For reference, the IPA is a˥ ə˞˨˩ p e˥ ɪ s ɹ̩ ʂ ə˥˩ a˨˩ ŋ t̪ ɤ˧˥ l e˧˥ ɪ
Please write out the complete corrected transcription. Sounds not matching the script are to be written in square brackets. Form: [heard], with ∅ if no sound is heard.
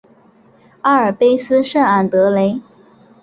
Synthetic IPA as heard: a˥ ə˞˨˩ p e˥ ɪ s ɹ̩ ʂ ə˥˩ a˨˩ [n] t̪ ɤ˧˥ l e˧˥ ɪ